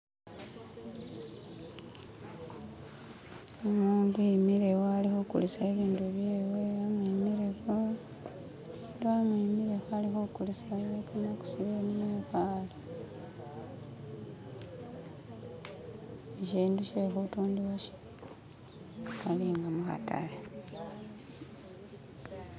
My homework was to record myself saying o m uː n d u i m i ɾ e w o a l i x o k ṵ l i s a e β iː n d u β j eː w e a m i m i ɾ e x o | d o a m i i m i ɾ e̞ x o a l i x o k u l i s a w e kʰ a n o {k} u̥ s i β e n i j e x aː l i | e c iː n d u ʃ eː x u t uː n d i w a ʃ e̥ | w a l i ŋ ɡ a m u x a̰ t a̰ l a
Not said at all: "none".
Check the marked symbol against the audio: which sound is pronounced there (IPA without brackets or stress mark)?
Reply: k